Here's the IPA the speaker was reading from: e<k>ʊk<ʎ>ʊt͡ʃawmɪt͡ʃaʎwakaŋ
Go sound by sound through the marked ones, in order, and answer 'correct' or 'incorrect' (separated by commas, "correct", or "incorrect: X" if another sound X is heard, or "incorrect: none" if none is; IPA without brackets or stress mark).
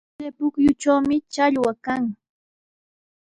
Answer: incorrect: p, incorrect: j